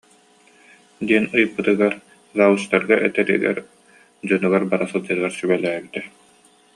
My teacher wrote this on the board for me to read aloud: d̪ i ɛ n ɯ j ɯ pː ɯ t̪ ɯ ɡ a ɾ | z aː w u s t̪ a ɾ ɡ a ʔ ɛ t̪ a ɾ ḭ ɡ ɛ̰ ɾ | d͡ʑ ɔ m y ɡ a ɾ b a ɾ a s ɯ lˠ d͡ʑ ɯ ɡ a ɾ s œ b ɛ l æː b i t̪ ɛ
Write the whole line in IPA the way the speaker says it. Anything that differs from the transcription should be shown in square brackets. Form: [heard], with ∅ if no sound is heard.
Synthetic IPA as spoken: d̪ i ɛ n ɯ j ɯ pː ɯ t̪ ɯ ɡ a ɾ | z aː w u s t̪ a ɾ ɡ a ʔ ɛ t̪ [ɛ] ɾ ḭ ɡ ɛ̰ ɾ | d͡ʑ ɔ [n] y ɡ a ɾ b a ɾ a s ɯ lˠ d͡ʑ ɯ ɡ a ɾ s [y] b ɛ l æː b i t̪ ɛ

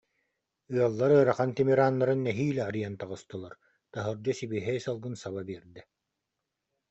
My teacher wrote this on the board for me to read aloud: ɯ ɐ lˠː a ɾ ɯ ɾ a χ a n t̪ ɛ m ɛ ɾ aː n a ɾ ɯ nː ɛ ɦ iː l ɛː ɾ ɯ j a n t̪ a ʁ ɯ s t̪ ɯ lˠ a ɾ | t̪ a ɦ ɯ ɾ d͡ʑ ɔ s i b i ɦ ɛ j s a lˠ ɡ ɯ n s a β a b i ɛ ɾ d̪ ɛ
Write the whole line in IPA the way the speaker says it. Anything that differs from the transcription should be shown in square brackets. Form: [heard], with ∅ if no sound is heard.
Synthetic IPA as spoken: ɯ ɐ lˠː a ɾ ɯ ɾ a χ a n t̪ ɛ m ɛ ɾ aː [nː] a ɾ ɯ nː ɛ ɦ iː l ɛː ɾ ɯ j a n t̪ a ʁ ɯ s t̪ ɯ lˠ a ɾ | t̪ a ɦ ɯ ɾ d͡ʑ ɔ s i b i ɦ ɛ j s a lˠ ɡ ɯ n s a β a b i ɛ ɾ d̪ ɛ

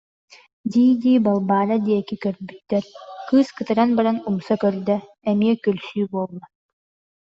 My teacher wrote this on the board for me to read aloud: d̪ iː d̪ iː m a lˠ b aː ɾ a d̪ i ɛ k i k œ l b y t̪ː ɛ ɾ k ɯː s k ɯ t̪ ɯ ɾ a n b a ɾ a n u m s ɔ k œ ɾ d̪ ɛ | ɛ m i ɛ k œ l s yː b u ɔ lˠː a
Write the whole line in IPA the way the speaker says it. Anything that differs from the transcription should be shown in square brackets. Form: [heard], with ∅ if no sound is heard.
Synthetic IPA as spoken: d̪ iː d̪ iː [b] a lˠ b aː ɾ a d̪ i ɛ k i k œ [ɾ] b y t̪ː ɛ ɾ k ɯː s k ɯ t̪ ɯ ɾ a n b a ɾ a n u m s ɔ k œ ɾ d̪ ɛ | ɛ m i ɛ k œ l s yː b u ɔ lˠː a

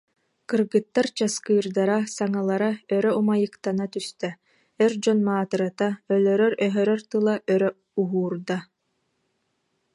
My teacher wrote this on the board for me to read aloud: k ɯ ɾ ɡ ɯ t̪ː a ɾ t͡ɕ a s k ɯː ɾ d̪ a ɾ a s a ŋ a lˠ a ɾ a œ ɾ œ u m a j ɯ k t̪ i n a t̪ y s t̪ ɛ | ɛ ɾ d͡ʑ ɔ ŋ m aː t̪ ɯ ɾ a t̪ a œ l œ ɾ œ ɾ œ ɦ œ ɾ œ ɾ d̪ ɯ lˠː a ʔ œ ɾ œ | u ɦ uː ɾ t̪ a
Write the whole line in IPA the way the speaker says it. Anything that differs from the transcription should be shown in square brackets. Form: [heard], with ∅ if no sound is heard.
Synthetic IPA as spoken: k ɯ ɾ ɡ ɯ t̪ː a ɾ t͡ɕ a s k ɯː ɾ d̪ a ɾ a s a ŋ a lˠ a ɾ a œ ɾ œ u m a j ɯ k t̪ [a] n a t̪ y s t̪ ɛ | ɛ ɾ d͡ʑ ɔ [n] m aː t̪ ɯ ɾ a t̪ a œ l œ ɾ œ ɾ œ ɦ œ ɾ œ ɾ [t̪] ɯ [lˠ] a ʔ œ ɾ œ | u ɦ uː ɾ [d̪] a

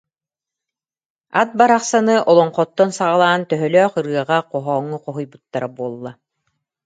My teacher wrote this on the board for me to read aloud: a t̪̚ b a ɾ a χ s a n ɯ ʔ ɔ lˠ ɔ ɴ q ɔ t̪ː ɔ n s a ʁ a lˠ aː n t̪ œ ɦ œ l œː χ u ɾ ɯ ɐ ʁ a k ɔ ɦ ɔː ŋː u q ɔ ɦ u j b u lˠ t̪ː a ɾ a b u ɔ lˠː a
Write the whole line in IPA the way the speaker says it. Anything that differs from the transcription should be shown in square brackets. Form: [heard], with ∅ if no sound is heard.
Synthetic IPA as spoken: a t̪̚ b a ɾ a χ s a n ɯ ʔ ɔ lˠ ɔ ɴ q ɔ t̪ː ɔ n s a ʁ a lˠ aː n t̪ œ ɦ œ l œː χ [ɯ] ɾ ɯ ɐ ʁ a [q] ɔ ɦ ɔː ŋː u q ɔ ɦ u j b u [∅] t̪ː a ɾ a b u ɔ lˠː a

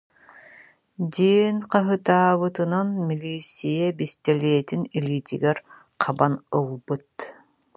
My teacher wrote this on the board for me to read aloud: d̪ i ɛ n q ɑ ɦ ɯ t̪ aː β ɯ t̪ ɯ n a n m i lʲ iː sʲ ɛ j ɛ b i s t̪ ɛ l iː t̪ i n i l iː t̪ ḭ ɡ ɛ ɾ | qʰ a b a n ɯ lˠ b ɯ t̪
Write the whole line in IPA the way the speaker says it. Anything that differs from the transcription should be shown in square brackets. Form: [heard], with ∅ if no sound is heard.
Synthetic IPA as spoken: d̪ i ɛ n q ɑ ɦ ɯ t̪ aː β ɯ t̪ ɯ n a n m i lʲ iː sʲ [i] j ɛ b i s t̪ ɛ l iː t̪ i n i l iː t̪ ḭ ɡ ɛ ɾ | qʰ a b a n ɯ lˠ b ɯ t̪

